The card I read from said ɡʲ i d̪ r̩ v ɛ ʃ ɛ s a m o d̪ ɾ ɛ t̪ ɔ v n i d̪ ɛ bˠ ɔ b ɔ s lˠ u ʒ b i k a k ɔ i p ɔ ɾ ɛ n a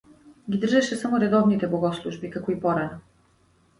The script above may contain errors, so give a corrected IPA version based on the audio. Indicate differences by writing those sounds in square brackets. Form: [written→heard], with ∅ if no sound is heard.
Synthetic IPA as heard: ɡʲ i d̪ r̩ [v→ʒ] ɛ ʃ ɛ s a m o [d̪→∅] ɾ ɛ [t̪→d̪] ɔ v n i [d̪→t̪] ɛ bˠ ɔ [b→ɡ] ɔ s lˠ u ʒ b i k a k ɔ i p ɔ ɾ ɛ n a